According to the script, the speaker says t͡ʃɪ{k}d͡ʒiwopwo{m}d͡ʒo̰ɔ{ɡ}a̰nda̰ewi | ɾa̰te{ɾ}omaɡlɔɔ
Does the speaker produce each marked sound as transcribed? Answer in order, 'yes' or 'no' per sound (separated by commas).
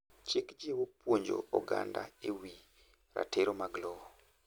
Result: yes, no, yes, yes